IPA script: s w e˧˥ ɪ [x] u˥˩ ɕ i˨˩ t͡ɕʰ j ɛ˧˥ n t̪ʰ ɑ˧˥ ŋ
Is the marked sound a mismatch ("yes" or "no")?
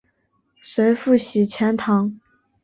yes